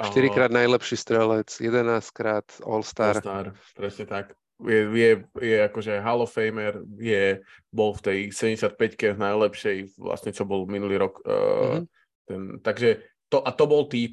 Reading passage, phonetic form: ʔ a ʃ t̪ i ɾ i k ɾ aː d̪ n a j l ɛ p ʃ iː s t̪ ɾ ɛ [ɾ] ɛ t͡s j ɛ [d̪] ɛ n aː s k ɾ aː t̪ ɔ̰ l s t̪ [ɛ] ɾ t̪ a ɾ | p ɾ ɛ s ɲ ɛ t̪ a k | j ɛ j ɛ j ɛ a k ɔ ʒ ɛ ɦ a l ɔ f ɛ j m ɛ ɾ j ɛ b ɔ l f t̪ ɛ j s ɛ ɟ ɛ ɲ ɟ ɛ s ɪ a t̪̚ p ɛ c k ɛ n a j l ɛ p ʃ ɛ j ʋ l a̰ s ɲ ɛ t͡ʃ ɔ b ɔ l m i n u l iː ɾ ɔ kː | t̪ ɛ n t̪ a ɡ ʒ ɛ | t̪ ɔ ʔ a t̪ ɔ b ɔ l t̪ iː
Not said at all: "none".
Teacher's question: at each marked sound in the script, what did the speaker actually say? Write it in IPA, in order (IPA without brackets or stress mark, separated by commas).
l, d̪, a